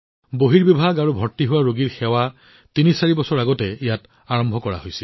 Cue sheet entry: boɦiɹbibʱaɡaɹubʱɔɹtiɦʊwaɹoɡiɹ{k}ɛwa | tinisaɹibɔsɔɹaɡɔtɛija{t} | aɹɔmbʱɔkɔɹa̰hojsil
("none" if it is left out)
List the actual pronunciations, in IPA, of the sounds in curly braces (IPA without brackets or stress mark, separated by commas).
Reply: x, t